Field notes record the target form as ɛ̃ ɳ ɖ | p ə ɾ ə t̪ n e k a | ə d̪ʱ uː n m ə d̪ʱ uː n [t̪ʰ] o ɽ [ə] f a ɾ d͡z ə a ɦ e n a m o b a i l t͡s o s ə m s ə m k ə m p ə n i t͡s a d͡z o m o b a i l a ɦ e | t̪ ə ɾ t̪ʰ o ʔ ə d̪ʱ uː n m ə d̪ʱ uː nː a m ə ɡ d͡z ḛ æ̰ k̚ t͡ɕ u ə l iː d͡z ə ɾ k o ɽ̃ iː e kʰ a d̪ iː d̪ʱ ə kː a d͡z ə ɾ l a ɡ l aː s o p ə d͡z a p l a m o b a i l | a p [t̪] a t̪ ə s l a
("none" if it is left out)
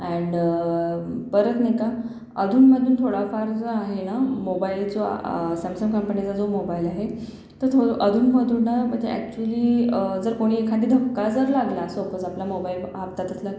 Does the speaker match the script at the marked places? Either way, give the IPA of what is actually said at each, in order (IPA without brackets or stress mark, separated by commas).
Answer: t̪ʰ, a, t̪